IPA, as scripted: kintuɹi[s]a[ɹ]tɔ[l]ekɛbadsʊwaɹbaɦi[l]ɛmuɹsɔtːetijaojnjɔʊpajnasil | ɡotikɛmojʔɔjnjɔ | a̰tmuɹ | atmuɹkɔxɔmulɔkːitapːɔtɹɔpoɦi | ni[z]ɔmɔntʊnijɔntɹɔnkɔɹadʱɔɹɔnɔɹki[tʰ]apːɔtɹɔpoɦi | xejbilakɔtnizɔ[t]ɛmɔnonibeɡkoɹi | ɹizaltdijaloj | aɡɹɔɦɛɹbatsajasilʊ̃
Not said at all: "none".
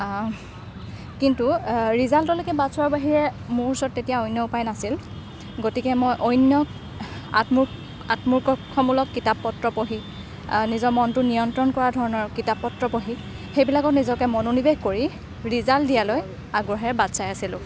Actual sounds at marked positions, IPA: z, l, l, ɹ, z, t, k

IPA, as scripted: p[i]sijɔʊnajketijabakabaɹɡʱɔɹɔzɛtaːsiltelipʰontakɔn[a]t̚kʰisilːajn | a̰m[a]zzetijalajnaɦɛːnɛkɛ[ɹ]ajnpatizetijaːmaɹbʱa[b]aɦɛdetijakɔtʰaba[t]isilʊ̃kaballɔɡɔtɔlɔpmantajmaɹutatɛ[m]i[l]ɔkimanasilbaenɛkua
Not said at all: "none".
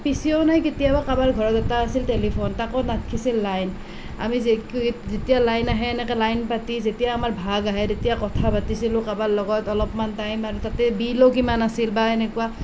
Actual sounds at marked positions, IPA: i, a, i, l, ɡ, t, b, l

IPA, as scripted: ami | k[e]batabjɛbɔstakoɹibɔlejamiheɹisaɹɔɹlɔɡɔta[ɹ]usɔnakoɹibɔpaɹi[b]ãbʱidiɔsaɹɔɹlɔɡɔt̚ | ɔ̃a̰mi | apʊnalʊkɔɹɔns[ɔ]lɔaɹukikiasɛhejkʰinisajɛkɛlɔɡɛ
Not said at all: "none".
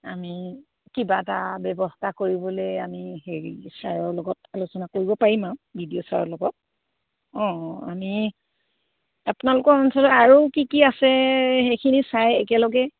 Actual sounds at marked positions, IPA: i, l, m, ɔ

